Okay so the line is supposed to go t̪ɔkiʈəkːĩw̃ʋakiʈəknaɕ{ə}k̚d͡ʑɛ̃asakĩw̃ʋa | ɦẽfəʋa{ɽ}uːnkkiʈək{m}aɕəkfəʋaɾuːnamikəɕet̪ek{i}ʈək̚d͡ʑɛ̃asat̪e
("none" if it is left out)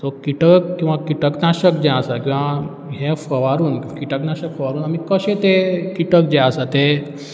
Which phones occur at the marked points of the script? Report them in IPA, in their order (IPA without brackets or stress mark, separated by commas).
ə, ɾ, n, i